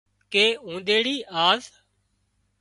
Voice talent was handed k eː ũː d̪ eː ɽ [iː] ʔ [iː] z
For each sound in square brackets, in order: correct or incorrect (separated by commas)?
correct, incorrect